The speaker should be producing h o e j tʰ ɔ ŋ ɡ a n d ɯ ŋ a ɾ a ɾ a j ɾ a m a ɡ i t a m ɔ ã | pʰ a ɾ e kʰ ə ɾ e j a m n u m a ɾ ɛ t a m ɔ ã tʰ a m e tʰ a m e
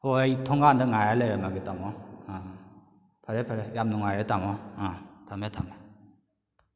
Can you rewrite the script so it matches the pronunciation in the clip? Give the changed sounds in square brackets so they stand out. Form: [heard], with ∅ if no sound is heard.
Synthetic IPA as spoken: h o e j tʰ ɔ ŋ ɡ a n d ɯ ŋ a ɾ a [l] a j ɾ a m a ɡ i t a m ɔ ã | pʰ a ɾ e [pʰ] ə ɾ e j a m n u [ŋ] a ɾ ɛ t a m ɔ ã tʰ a m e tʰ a m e